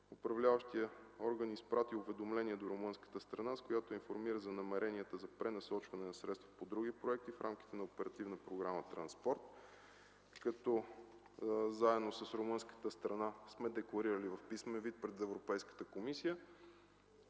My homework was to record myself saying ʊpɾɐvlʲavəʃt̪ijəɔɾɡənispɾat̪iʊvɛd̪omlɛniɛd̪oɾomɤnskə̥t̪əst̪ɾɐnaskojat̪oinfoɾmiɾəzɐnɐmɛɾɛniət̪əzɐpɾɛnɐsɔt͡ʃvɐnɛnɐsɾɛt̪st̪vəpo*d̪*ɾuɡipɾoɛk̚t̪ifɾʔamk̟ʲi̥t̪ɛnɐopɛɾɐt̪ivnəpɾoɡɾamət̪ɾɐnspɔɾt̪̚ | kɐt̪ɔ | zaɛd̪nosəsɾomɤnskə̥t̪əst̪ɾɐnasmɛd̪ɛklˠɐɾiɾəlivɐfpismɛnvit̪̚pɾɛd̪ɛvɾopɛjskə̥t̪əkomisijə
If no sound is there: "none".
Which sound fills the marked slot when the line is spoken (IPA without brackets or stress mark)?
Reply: d̪